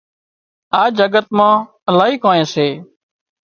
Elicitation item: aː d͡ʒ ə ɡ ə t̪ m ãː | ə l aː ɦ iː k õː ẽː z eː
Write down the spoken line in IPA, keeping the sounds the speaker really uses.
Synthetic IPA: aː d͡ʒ ə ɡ ə t̪ m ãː | ə l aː ɦ iː k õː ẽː s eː